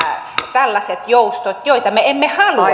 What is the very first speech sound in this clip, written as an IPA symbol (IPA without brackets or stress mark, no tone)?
t̪